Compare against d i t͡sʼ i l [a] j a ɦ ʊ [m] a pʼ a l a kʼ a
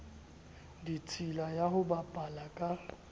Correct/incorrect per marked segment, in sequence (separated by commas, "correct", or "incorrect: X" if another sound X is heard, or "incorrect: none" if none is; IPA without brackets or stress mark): correct, incorrect: b